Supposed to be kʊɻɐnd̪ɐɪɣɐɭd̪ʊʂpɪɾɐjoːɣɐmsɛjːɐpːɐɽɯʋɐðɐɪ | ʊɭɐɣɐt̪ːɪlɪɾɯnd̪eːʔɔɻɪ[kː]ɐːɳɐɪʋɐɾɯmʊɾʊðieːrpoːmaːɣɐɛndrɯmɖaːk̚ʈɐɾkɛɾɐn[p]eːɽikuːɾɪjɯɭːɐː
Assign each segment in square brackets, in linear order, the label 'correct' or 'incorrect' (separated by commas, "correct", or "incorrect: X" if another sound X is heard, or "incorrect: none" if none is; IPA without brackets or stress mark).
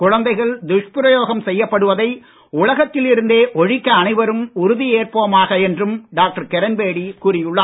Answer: correct, incorrect: b